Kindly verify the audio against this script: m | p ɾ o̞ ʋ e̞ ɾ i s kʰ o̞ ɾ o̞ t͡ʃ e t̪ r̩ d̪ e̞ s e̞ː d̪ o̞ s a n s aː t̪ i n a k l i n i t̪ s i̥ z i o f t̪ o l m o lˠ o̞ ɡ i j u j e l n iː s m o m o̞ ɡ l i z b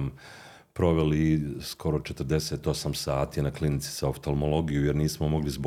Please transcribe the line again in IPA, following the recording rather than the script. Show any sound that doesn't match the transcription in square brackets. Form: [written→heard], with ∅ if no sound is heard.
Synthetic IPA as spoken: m | p ɾ o̞ ʋ e̞ [ɾ→l] i s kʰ o̞ ɾ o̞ t͡ʃ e t̪ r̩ d̪ e̞ s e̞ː [d̪→t̪] o̞ s a [n→m] s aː t̪ i n a k l i n i t̪ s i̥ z [i→a] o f t̪ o l m o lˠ o̞ ɡ i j u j e [l→ɾ] n iː s m o m o̞ ɡ l i z b